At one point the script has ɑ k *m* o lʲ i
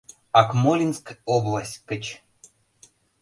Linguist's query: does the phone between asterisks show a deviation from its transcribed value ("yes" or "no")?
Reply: no